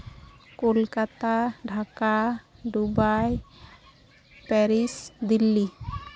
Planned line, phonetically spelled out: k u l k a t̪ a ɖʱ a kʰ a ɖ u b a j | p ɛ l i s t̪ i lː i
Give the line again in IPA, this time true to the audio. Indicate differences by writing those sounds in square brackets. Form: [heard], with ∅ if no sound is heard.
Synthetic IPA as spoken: k [o] l k a t̪ a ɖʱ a [k] a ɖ u b a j | p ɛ [ɾ] i s [d̪] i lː i